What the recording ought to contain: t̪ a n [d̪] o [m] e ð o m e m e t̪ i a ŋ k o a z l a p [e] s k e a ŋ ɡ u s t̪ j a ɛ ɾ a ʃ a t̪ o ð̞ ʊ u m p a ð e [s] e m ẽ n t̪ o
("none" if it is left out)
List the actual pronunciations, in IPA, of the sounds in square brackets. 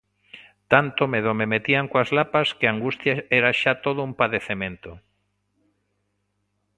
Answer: t̪, m, a, θ

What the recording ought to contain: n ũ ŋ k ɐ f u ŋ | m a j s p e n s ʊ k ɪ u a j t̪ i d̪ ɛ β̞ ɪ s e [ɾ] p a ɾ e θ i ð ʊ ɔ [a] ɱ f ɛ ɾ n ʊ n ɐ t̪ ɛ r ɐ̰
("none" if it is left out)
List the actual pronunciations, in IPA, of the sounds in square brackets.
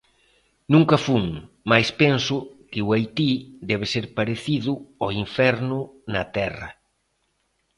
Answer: ɾ, i

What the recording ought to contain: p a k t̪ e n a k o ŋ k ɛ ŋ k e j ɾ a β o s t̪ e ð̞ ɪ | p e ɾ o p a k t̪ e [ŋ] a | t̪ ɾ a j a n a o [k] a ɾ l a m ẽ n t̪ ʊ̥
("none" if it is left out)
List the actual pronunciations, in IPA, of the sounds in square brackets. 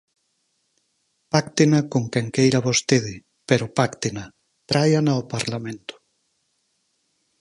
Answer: n, p

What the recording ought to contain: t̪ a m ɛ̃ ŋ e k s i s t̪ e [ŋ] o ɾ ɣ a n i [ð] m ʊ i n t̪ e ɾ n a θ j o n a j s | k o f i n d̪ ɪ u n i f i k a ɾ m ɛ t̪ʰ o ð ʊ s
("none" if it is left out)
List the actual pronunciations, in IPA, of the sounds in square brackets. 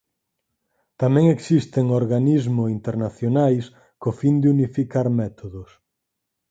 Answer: ŋ, z

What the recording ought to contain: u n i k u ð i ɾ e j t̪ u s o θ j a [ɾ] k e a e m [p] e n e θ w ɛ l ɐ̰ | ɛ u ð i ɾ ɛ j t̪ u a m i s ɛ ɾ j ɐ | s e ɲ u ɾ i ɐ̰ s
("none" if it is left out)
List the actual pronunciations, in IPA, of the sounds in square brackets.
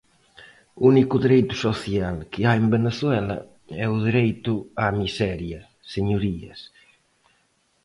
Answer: l, b

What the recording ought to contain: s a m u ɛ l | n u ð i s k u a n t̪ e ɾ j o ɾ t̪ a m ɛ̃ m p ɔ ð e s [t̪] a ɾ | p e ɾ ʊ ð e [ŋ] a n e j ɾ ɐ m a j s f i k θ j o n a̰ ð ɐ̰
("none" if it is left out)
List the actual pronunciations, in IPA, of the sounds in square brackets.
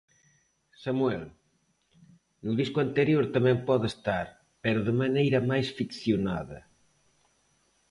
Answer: t̪, m

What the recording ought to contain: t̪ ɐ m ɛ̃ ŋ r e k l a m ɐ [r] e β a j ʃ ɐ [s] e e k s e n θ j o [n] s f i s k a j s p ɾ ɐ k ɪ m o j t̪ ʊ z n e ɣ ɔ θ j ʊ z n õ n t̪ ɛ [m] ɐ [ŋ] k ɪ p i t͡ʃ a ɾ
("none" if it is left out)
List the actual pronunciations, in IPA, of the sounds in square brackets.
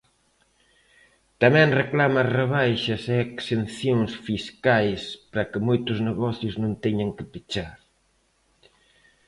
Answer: r, s, ŋ, ɲ, ŋ

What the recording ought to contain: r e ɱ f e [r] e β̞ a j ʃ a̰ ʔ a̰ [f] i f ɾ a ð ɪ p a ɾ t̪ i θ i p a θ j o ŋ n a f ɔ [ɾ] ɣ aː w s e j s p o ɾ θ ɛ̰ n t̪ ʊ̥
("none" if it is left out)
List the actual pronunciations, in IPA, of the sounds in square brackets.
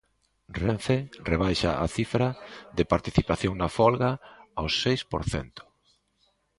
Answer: r, θ, l

